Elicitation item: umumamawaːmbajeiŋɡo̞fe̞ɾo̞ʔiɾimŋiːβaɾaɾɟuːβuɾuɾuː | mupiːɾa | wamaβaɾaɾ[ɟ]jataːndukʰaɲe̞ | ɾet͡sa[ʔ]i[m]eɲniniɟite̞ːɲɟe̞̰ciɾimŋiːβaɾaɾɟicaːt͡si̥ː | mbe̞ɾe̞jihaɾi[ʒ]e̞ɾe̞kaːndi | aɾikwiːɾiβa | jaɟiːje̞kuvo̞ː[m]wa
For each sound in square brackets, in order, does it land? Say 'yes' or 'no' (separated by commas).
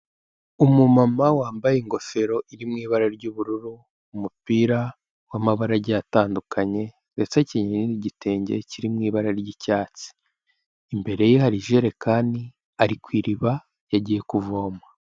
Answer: yes, no, no, yes, yes